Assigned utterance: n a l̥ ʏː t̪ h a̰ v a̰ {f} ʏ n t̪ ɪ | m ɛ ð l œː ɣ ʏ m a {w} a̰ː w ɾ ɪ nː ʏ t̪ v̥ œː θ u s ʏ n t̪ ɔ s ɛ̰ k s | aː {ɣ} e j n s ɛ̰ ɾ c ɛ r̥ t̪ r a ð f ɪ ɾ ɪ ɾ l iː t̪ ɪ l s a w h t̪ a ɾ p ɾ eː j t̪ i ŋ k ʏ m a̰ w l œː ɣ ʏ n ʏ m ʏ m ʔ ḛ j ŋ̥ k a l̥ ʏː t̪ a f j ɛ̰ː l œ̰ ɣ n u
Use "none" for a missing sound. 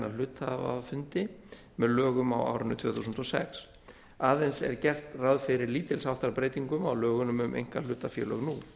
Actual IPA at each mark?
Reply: f, w, ð

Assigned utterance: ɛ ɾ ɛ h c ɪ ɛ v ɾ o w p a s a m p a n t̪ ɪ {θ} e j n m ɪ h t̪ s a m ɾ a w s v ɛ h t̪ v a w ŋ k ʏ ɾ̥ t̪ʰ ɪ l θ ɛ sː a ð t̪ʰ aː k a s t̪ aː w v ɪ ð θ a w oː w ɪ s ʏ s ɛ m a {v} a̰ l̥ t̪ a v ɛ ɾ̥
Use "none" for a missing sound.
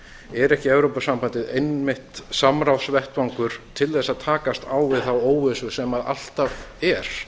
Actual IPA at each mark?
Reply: ð, ð

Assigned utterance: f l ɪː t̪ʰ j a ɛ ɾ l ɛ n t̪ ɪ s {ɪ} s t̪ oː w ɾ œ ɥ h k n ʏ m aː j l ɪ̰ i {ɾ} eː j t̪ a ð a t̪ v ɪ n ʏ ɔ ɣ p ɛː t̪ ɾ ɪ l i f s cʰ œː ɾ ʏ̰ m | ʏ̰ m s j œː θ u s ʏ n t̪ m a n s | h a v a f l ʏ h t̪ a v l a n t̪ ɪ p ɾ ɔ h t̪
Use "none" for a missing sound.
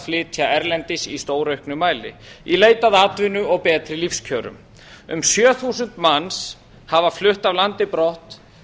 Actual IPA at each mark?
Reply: i, l

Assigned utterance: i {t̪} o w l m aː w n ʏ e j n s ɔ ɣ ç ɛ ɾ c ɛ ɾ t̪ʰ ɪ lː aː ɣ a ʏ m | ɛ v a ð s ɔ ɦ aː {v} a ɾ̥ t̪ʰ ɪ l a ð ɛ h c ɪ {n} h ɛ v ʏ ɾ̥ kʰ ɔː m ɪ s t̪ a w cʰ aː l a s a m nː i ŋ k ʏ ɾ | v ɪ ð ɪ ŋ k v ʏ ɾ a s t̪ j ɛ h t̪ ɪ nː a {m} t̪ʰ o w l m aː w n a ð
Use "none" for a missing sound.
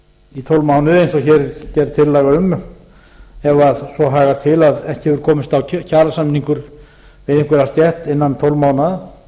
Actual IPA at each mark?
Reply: t̪ʰ, ɣ, none, n

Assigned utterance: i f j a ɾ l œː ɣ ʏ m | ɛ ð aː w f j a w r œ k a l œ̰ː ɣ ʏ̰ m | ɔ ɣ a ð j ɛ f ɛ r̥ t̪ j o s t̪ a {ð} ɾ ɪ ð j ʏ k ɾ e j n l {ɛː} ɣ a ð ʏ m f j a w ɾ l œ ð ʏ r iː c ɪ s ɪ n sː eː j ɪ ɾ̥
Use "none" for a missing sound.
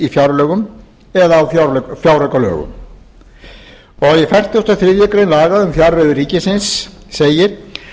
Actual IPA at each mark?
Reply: θ, aː

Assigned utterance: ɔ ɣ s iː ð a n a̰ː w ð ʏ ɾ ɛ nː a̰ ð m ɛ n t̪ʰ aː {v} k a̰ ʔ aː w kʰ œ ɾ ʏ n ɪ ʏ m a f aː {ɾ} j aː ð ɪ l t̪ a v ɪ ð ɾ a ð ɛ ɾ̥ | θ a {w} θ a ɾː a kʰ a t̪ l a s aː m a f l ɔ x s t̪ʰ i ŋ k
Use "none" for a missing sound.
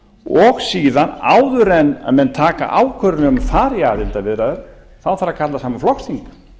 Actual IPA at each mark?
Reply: none, ɾ, w

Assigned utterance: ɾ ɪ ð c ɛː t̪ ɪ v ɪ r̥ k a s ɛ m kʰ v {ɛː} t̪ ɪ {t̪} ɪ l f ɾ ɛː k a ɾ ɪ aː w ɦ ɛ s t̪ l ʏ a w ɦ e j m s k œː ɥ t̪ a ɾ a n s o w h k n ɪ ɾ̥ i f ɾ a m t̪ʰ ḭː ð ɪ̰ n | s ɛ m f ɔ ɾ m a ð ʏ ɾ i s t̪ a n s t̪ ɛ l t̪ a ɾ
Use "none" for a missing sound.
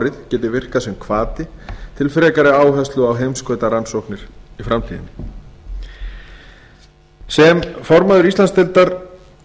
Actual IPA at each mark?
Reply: aː, t̪ʰ

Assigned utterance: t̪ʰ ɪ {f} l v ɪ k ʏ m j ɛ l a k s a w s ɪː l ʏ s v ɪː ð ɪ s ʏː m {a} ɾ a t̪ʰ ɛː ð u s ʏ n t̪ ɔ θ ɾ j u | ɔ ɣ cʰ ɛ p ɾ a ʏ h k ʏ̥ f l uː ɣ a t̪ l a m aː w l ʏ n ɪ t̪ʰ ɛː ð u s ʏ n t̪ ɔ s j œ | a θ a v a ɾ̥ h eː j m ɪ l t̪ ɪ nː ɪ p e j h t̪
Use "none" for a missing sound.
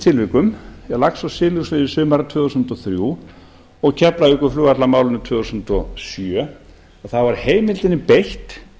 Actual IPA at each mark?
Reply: none, a

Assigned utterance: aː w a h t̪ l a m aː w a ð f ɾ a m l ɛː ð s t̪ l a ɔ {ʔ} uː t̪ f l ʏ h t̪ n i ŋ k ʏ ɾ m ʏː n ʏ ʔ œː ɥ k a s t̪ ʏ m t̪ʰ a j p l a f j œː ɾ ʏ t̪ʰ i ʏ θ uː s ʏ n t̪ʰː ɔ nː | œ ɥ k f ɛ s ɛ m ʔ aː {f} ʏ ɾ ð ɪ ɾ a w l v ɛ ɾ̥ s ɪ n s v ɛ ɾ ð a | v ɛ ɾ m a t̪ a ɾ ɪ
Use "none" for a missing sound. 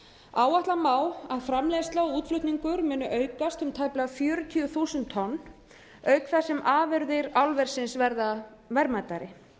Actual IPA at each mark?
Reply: none, v

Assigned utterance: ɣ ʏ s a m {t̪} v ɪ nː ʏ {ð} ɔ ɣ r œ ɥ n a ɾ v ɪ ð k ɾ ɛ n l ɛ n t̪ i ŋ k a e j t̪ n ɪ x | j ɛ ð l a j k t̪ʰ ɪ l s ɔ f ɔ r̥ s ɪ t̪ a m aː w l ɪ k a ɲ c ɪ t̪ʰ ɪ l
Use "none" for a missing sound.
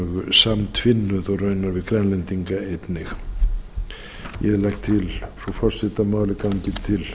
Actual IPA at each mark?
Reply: t̪ʰ, ð

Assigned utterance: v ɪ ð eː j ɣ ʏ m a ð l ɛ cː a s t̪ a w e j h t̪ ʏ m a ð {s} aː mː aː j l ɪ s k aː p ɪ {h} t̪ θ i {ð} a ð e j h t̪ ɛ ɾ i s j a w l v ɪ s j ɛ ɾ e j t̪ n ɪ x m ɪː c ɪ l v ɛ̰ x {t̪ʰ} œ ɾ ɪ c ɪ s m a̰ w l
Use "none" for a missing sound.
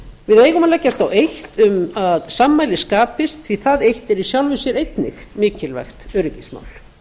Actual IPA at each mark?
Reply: s, s, θ, t̪

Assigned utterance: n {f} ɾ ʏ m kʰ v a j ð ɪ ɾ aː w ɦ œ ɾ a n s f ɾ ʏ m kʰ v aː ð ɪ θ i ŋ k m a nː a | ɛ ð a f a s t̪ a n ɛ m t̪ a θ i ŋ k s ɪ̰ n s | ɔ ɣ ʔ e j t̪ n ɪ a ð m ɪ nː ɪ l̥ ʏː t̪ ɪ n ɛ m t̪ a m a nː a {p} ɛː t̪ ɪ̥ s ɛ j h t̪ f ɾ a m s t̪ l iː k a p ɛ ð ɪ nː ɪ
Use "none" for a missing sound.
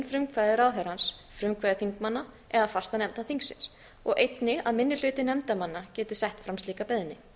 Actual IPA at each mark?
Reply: f, c

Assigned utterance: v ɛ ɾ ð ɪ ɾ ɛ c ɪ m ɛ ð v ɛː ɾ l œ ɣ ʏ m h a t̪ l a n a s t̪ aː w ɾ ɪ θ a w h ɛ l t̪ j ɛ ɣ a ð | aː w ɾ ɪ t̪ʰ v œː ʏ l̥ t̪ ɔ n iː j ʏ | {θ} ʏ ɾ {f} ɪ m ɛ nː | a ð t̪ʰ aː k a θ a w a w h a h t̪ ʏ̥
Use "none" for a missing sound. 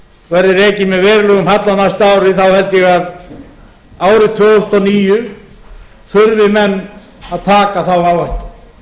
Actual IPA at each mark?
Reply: θ, v

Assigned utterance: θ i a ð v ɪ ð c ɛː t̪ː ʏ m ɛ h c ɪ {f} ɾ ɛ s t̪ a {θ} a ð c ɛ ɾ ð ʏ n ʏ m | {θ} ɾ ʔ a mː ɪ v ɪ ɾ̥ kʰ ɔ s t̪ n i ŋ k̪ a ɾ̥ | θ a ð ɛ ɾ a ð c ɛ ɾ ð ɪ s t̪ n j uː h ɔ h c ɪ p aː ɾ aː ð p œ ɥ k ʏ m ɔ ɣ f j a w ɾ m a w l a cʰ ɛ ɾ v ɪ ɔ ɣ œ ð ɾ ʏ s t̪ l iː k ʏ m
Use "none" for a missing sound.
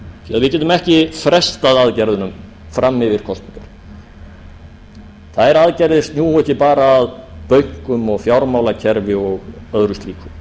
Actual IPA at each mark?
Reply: f, ð, f

